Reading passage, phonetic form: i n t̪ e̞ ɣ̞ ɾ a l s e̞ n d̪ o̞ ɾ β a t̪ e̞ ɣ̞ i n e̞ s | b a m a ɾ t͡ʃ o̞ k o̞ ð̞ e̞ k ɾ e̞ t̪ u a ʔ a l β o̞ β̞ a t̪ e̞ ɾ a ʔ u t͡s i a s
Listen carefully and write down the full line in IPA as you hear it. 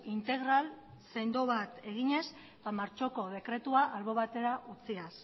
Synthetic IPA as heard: i n t̪ e̞ ɣ̞ ɾ a l s e̞ n d̪ o̞ β a t̪ e̞ ɣ̞ i ɲ e̞ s | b a m a ɾ t͡ʃ o̞ k o̞ ð̞ e̞ k ɾ e̞ t̪ u a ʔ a l β o̞ β̞ a t̪ e̞ ɾ a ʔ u t͡s i a s